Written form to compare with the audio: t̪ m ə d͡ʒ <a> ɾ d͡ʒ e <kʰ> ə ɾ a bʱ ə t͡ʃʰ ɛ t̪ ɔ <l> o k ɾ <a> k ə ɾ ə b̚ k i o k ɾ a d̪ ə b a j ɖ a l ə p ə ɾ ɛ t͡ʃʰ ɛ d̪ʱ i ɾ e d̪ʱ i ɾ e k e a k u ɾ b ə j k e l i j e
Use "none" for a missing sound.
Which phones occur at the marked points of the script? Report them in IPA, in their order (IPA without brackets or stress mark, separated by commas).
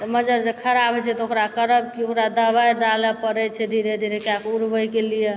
ə, kʰ, none, a